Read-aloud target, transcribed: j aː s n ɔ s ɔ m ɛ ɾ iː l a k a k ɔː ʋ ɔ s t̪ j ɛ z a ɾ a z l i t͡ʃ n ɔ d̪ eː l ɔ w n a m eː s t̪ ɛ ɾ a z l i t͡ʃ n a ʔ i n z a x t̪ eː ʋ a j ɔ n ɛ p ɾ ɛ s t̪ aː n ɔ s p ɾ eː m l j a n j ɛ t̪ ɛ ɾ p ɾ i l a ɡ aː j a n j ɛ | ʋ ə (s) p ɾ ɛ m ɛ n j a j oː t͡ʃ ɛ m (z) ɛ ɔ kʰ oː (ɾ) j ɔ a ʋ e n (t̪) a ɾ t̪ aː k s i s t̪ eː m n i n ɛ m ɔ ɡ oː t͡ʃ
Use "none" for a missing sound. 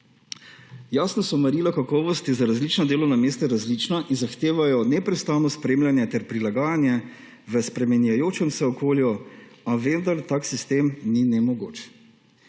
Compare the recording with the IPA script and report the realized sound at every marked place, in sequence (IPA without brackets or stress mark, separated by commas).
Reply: s, s, l, d̪